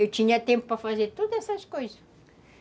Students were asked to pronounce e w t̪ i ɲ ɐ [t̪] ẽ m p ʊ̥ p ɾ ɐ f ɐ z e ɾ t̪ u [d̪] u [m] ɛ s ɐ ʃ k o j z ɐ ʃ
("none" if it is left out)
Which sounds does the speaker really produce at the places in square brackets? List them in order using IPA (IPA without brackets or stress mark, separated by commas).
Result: t̪, d̪, none